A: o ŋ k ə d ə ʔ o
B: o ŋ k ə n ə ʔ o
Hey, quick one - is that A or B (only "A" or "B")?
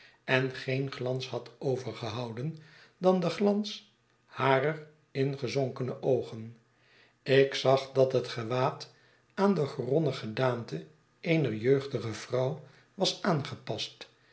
B